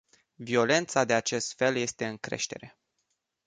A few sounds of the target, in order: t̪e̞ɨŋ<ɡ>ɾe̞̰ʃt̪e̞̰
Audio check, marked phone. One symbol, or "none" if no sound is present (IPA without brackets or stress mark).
k